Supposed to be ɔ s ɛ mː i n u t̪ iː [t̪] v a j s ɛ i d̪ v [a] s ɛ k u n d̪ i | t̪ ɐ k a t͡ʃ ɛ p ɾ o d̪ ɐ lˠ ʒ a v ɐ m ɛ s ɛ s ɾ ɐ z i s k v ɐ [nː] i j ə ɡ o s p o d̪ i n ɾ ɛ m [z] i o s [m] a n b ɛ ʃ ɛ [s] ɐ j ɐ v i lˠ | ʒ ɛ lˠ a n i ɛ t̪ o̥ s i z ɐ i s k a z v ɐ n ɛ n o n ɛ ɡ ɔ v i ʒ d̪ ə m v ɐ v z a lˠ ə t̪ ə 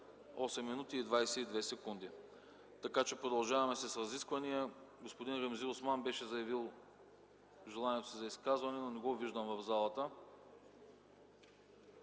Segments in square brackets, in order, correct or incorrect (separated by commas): incorrect, incorrect, incorrect, correct, correct, incorrect